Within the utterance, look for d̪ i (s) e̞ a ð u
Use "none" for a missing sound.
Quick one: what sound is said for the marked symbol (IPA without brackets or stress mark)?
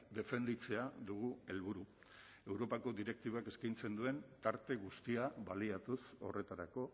t͡s